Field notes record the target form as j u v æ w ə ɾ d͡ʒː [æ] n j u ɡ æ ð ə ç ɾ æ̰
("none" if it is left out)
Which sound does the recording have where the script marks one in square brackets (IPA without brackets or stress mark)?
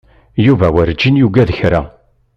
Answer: i